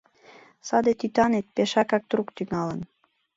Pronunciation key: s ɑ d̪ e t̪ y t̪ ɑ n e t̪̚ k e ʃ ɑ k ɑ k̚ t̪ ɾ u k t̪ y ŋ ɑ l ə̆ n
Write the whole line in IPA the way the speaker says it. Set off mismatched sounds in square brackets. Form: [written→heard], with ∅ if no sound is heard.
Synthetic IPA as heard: s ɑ d̪ e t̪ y t̪ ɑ n e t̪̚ [k→p] e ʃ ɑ k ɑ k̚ t̪ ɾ u k t̪ y ŋ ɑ l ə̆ n